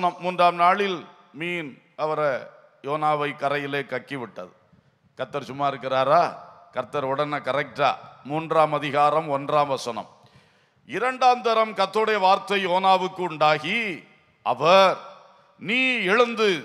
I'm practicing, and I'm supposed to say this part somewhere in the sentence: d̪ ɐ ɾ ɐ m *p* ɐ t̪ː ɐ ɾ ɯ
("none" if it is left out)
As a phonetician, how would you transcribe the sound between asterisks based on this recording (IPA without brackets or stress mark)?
k